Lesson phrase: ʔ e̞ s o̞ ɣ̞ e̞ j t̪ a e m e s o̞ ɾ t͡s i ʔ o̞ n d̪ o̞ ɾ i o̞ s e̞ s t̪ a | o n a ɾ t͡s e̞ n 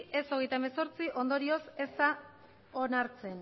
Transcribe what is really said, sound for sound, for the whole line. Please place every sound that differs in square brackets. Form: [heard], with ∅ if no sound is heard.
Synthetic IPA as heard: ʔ e̞ s o̞ ɣ̞ e̞ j t̪ a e m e s o̞ ɾ t͡s i ʔ o̞ n d̪ o̞ ɾ i o̞ s e̞ s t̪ a | o n a ɾ t͡s e̞ n